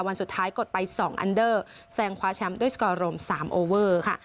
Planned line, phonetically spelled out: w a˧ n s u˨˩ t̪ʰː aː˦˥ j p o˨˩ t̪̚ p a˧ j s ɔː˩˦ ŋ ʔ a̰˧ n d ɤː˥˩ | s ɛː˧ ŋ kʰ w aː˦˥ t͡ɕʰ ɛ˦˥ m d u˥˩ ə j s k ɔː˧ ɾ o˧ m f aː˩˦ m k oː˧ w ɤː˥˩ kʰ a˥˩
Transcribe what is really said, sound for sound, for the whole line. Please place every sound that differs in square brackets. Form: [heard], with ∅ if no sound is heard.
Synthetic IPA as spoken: w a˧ n s u˨˩ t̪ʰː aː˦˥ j [k] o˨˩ t̪̚ p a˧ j s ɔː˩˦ ŋ ʔ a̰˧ n d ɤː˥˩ | s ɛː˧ ŋ kʰ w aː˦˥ t͡ɕʰ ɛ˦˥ m d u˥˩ ə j s k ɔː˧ ɾ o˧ m [s] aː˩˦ m [ʔ] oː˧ w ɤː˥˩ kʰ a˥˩